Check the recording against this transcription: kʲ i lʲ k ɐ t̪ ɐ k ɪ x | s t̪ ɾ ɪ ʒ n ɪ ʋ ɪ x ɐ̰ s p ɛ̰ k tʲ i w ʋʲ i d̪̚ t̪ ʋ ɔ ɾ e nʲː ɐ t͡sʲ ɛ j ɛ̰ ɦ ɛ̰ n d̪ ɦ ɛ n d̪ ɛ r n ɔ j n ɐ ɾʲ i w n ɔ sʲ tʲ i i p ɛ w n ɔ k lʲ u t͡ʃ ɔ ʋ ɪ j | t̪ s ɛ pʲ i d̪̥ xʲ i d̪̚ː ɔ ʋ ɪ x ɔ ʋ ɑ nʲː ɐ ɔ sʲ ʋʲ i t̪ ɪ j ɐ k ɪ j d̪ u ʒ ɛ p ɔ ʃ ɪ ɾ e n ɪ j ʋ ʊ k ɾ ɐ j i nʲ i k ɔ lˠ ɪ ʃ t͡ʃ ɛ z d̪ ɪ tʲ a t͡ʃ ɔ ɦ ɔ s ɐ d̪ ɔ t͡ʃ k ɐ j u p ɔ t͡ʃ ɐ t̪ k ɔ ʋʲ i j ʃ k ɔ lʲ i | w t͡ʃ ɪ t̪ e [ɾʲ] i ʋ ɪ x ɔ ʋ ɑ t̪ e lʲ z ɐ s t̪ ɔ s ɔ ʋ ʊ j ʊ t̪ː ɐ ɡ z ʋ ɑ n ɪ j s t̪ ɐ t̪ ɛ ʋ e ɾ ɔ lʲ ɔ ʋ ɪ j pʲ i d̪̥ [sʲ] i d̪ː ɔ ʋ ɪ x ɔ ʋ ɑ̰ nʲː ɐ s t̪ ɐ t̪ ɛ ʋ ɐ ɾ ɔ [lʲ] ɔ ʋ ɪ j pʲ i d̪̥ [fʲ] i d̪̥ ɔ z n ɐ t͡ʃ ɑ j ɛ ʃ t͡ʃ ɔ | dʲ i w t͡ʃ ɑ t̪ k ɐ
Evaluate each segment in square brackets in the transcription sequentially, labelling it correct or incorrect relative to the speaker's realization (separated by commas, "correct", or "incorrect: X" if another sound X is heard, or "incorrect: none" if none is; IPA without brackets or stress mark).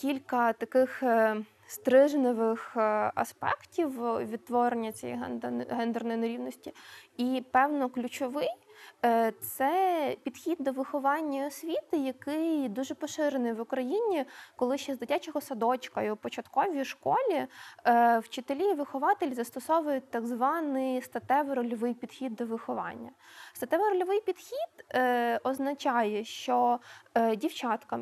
incorrect: lʲ, incorrect: xʲ, correct, incorrect: xʲ